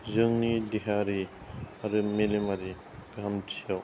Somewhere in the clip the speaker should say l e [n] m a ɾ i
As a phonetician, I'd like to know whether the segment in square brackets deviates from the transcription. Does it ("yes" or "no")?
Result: yes